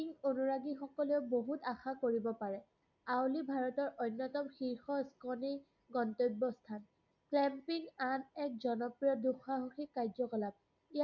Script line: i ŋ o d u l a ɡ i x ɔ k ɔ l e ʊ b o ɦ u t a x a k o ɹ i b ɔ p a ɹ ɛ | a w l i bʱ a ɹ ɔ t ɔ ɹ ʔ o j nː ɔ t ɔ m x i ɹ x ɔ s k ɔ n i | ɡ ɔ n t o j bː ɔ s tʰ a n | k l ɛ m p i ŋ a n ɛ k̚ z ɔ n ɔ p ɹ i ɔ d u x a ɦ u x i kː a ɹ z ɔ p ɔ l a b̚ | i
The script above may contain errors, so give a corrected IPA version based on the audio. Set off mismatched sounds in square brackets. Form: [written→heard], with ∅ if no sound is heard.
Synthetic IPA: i ŋ o [d→n] u [l→ɹ] a ɡ i x ɔ k ɔ l e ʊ b o ɦ u t a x a k o ɹ i b ɔ p a ɹ ɛ | a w l i bʱ a ɹ ɔ t ɔ ɹ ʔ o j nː ɔ t ɔ m x i ɹ x ɔ s k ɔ n i | ɡ ɔ n t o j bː ɔ s tʰ a n | k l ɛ m p i ŋ a n ɛ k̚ z ɔ n ɔ p ɹ i ɔ d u x a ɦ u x i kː a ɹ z ɔ [p→k] ɔ l a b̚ | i